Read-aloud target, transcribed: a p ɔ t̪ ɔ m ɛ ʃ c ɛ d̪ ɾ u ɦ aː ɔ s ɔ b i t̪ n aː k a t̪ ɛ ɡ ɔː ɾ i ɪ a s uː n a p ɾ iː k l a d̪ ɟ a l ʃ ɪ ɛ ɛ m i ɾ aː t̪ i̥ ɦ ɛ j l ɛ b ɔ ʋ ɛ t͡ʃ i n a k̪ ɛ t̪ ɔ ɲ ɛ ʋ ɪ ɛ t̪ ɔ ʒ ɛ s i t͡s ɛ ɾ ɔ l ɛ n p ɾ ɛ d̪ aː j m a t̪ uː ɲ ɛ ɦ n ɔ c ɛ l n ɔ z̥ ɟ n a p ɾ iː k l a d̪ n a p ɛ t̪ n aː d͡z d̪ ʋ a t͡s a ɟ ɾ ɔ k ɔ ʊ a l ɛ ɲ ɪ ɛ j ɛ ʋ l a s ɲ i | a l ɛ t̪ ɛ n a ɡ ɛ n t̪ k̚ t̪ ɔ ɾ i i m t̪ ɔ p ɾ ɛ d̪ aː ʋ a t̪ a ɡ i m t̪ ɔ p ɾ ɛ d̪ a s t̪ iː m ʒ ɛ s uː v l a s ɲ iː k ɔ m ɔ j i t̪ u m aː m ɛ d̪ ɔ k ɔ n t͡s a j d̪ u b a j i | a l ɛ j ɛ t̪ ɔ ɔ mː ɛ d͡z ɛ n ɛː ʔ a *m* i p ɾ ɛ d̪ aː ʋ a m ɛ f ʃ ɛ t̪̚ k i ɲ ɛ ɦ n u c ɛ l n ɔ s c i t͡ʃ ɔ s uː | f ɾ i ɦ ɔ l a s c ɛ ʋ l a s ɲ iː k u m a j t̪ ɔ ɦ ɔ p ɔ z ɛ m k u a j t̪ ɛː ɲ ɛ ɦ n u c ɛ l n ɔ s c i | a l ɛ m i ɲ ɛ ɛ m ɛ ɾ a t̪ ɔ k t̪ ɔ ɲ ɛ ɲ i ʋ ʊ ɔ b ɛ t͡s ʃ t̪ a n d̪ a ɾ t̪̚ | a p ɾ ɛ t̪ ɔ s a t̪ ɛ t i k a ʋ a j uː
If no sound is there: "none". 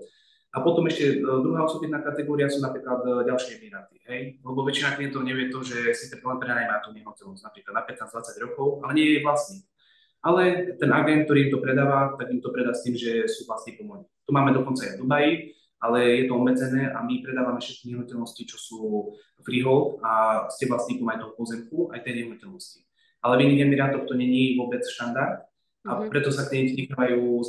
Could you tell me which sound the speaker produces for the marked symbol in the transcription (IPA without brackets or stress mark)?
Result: m